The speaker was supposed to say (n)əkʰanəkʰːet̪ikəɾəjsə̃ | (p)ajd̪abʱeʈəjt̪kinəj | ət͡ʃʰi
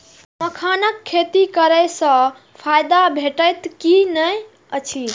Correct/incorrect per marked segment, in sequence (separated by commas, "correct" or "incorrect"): incorrect, incorrect